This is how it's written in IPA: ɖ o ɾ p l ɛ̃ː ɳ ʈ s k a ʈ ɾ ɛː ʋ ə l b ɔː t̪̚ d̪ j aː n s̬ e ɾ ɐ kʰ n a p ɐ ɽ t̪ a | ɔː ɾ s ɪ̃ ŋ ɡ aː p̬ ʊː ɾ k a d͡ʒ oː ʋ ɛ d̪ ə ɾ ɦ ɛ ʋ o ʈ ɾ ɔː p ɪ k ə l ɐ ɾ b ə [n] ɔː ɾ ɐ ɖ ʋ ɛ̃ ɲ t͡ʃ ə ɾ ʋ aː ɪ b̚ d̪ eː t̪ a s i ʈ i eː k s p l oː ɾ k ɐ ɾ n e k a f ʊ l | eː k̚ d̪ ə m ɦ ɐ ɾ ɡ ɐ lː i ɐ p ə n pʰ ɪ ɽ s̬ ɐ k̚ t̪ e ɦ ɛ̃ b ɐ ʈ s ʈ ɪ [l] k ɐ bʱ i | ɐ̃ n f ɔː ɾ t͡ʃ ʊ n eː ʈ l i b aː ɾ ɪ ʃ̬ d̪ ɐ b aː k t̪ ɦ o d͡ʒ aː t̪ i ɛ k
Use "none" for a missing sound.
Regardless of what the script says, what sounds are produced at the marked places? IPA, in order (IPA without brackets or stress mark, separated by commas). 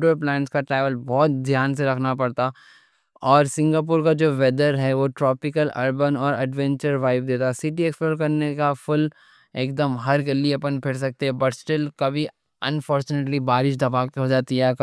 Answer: n, l